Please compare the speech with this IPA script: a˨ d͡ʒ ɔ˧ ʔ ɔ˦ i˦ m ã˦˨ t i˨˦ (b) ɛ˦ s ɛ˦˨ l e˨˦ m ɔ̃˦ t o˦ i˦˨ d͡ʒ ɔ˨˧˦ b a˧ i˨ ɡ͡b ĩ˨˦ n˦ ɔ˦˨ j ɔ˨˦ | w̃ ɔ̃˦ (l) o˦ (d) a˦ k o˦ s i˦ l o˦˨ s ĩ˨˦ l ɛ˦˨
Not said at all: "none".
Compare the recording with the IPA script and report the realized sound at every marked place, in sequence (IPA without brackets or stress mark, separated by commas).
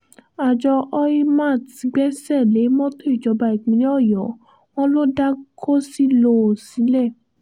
ɡ͡b, l, d